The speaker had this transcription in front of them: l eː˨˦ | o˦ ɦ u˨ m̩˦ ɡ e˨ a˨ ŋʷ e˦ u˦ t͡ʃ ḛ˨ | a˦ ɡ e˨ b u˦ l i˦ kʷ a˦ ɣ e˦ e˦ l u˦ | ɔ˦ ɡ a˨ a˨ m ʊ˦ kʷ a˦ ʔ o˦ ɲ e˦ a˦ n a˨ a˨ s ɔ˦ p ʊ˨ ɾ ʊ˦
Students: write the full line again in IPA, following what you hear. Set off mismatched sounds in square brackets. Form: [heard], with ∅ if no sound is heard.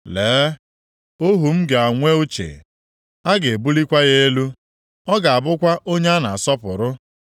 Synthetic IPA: l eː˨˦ | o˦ ɦ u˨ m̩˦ ɡ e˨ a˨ ŋʷ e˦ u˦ t͡ʃ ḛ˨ | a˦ ɡ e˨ b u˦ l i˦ kʷ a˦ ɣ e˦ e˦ l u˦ | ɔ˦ ɡ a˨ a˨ [b] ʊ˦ kʷ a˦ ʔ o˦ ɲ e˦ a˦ n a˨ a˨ s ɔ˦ p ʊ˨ ɾ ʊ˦